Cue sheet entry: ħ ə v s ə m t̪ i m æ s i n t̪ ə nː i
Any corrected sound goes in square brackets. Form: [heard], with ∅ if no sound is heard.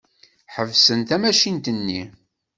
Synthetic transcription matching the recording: ħ ə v s ə [n] t̪ [æ] m æ [ʃ] i n t̪ ə nː i